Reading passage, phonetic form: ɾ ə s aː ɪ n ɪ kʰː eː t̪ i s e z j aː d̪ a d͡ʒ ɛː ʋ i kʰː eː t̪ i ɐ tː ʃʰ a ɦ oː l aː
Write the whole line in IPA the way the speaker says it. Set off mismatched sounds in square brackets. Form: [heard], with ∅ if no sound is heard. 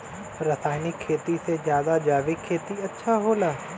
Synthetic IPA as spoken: ɾ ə s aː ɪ n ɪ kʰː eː t̪ i s e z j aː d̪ a d͡ʒ [aː] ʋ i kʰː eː t̪ i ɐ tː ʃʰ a ɦ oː l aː